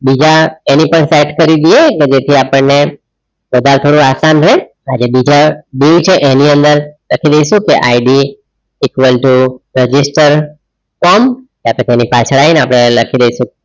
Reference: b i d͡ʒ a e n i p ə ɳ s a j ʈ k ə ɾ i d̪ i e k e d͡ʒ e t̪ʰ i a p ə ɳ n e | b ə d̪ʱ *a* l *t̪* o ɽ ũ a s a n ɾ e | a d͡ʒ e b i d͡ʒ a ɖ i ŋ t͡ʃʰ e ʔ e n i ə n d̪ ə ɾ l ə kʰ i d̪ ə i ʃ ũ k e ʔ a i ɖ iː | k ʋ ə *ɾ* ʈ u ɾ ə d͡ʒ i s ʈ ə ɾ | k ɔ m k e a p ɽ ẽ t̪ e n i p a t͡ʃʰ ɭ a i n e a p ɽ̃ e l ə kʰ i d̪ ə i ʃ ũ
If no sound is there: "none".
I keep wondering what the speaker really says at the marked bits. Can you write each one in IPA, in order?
a, t̪ʰ, l

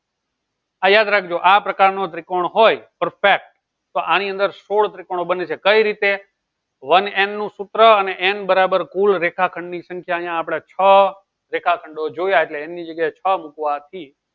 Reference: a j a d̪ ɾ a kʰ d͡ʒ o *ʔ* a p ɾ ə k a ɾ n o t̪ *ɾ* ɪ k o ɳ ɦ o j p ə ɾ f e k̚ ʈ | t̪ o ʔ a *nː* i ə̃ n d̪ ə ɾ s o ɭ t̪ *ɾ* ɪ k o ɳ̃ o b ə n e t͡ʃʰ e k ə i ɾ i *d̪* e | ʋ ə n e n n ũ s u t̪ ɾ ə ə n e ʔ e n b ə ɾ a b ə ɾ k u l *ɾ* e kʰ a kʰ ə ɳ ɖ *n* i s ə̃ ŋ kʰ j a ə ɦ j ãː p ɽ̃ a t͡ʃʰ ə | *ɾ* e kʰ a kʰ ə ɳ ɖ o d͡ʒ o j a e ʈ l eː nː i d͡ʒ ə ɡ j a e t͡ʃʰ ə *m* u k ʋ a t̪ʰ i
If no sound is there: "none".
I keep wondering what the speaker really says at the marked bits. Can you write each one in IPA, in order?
ʔ, ɾ, n, ɾ, t̪, ɾ, n, ɾ, m

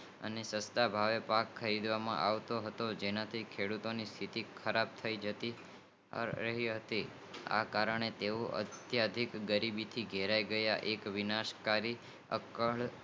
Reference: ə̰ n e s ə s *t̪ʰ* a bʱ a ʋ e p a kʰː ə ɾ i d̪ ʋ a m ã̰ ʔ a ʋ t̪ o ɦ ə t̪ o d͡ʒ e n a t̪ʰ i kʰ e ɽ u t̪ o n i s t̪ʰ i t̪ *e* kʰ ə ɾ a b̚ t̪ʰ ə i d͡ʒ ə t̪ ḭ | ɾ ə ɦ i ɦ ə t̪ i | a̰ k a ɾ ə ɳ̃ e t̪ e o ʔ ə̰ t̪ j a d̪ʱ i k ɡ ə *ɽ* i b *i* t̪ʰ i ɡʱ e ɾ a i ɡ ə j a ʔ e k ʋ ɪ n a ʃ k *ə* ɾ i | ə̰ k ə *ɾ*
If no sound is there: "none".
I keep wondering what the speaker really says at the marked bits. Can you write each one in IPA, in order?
t̪, i, ɾ, i, a, ɭ

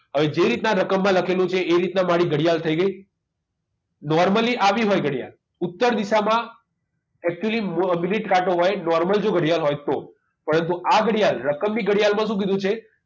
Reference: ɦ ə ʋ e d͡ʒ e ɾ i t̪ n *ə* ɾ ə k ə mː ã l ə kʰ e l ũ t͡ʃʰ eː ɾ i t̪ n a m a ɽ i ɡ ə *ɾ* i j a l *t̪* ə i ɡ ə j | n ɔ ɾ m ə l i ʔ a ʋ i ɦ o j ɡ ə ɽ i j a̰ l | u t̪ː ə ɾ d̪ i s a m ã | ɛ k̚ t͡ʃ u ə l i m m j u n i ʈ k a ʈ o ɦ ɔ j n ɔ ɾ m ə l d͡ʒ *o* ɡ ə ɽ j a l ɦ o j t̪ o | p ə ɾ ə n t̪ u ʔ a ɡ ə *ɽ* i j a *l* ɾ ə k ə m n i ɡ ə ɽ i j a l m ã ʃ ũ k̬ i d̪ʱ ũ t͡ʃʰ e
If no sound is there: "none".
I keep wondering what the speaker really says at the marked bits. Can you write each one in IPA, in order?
a, ɽ, t̪ʰ, o, ɽ, l

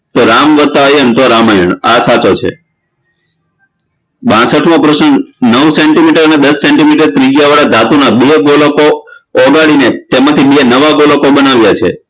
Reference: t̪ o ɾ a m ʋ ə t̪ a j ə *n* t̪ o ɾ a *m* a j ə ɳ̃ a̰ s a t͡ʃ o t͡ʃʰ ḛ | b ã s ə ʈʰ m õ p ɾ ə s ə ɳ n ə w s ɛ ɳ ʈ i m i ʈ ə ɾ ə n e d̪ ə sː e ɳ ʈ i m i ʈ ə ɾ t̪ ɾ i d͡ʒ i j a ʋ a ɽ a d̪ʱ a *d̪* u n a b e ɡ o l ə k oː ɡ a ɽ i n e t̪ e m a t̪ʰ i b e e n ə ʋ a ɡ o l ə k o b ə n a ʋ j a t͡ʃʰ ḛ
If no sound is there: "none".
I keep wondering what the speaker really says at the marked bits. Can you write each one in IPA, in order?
n, m, t̪

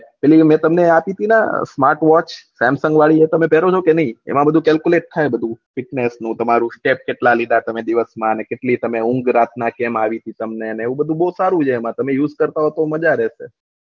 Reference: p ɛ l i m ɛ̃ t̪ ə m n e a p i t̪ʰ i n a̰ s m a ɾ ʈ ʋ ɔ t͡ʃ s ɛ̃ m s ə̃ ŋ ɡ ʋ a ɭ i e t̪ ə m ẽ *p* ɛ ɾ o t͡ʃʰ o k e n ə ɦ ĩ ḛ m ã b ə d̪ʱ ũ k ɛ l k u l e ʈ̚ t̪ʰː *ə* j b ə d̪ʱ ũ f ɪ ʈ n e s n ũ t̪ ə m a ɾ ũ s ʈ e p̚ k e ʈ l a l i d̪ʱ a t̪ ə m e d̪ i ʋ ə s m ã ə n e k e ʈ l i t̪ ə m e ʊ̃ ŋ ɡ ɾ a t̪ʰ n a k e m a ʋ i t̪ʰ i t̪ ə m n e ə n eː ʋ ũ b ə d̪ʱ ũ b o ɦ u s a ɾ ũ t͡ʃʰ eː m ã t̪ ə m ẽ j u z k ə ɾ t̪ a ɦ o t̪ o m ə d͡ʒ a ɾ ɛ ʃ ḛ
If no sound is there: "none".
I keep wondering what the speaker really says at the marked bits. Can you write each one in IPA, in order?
p, a

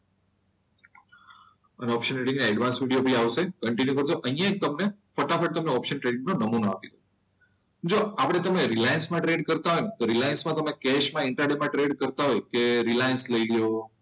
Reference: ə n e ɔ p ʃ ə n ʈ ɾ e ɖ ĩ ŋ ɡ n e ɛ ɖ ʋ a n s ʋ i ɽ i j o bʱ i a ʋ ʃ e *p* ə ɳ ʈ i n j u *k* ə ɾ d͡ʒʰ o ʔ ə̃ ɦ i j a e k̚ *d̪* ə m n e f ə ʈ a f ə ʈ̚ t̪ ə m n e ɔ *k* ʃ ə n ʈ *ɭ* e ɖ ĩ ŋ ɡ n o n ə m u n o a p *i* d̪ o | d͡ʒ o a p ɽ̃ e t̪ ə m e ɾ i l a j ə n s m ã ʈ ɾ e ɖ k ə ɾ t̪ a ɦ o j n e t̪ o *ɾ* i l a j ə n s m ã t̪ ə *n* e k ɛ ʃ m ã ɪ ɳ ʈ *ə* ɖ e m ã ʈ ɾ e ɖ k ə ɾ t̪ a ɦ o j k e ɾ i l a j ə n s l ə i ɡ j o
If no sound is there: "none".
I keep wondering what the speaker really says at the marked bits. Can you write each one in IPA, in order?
k, k, t̪, p, ɾ, i, ɾ, m, a

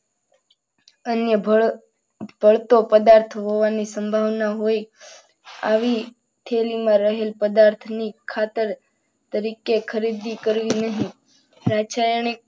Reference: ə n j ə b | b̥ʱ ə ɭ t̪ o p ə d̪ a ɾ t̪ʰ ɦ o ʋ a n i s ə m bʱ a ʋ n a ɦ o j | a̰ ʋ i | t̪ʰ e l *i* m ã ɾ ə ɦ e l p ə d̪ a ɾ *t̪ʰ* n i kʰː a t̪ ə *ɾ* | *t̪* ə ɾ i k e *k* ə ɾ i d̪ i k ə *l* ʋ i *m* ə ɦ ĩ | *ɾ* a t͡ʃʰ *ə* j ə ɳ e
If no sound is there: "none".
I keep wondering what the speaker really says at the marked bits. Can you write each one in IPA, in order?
i, t̪ʰ, ɾ, t̪, kʰ, ɾ, n, ɾ, a

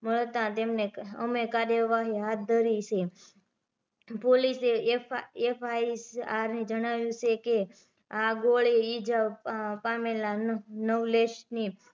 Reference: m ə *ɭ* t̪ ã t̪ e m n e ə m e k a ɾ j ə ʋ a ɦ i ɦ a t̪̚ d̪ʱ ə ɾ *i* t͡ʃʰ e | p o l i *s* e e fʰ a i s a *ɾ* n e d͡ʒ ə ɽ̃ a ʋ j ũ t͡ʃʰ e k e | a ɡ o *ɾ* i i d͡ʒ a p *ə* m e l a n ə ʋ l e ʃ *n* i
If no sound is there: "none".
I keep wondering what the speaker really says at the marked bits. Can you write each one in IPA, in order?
ɭ, i, s, ɾ, ɭ, a, n

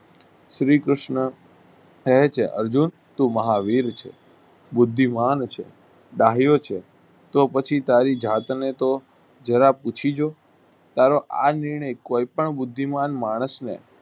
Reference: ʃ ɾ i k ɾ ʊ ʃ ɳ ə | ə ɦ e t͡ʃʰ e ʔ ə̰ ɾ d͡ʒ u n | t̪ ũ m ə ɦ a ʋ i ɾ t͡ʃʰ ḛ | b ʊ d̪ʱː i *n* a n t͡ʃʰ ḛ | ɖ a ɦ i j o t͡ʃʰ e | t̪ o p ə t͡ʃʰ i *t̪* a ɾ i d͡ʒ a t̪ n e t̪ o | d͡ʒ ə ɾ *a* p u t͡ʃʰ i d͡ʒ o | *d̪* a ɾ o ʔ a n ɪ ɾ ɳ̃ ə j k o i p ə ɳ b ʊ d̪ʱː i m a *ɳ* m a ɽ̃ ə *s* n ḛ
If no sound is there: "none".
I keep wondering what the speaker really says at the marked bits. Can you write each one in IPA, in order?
m, t̪, a, t̪, n, s

